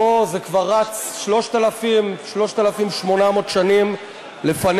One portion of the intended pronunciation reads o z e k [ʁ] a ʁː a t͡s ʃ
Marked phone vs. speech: incorrect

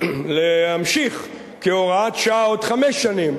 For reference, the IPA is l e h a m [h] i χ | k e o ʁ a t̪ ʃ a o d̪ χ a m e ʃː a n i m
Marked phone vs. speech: incorrect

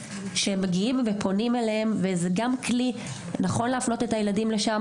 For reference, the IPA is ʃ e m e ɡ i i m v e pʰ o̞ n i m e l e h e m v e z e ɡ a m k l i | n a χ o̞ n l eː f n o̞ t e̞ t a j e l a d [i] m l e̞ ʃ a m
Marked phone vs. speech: correct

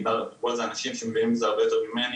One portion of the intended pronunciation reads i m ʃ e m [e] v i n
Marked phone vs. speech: correct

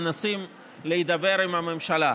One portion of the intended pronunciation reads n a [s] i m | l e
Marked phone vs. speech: correct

